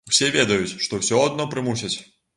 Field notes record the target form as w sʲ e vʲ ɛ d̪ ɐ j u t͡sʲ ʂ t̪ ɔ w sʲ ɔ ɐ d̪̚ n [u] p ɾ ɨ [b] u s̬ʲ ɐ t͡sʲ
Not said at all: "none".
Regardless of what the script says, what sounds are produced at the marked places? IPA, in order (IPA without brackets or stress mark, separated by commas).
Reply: ɔ, m